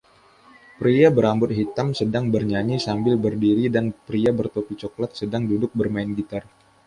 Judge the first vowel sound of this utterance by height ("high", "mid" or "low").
high